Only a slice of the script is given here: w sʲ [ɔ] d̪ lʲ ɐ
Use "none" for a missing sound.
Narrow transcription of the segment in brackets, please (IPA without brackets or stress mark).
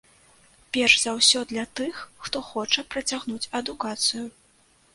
ɔ